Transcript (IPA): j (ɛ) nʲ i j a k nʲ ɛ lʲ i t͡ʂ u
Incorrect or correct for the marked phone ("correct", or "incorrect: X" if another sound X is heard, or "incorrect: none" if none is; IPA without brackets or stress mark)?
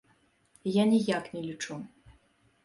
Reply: incorrect: a